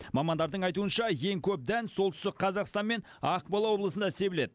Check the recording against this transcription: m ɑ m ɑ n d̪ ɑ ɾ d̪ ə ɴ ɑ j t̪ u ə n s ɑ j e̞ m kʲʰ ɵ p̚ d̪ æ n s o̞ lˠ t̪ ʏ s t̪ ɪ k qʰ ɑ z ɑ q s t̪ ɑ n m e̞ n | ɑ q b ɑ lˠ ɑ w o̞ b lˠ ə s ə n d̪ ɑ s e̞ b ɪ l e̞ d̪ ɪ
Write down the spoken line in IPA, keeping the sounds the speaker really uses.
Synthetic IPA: m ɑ m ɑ n d̪ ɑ ɾ d̪ ə ɴ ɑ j t̪ u ə n ʃ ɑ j e̞ ŋ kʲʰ ɵ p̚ d̪ æ n s o̞ lˠ t̪ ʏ s t̪ ɪ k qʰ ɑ z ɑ q s t̪ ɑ n m e̞ n | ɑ q b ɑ lˠ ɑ w o̞ b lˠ ə s ə n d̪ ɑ s e̞ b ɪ l e̞ d̪ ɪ